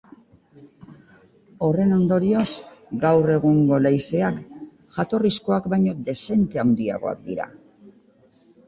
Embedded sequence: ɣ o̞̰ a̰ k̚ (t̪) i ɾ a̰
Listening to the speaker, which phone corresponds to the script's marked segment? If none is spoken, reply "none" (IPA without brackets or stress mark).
d̪